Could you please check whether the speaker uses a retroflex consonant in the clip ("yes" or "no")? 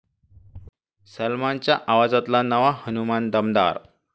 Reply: no